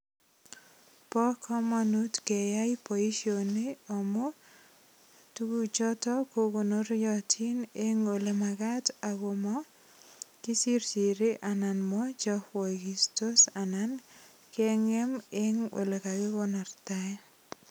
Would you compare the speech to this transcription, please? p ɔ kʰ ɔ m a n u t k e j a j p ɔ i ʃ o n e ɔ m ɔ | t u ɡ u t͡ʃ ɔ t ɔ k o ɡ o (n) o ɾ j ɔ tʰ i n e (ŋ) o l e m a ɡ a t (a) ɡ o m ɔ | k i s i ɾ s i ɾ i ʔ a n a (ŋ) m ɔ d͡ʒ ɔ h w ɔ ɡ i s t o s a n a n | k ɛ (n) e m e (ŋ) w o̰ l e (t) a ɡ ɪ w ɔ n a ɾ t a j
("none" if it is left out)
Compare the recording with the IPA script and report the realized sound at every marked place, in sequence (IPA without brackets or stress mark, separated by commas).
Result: n, ŋ, a, n, ŋ, ŋ, k